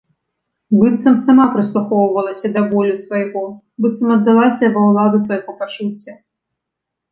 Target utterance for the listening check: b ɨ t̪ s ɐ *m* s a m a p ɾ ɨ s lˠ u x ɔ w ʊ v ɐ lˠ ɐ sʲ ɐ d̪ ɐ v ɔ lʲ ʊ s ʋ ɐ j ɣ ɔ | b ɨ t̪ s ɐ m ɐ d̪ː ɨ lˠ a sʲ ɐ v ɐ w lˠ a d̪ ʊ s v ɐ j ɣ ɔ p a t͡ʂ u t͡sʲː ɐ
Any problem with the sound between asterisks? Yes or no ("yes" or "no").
no